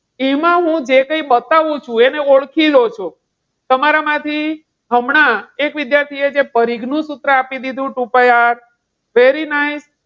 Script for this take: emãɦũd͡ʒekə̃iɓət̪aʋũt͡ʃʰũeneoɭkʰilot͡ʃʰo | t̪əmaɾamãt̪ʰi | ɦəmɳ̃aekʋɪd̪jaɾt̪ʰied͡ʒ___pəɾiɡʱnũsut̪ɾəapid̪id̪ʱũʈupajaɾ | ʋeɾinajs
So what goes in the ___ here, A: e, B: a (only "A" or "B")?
A